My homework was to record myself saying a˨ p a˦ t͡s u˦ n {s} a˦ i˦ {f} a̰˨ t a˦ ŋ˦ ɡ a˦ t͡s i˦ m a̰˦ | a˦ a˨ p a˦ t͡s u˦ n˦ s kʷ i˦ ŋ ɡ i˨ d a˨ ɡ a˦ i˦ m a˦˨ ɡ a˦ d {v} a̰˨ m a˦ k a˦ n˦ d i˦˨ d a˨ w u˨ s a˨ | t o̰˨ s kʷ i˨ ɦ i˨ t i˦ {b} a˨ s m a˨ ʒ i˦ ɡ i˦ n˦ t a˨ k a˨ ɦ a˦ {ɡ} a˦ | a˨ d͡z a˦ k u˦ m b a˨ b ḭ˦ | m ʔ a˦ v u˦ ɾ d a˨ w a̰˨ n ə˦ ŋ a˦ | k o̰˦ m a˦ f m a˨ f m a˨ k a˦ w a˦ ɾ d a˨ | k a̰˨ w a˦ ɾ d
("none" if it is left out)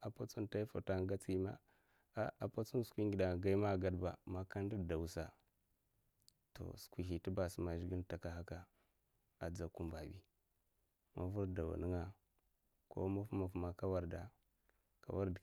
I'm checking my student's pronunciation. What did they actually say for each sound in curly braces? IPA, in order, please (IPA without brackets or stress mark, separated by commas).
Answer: t, f, b, b, k